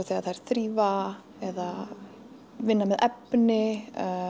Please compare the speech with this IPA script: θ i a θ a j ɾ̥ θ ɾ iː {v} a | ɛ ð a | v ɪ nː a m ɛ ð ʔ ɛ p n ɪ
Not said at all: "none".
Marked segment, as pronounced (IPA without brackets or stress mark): v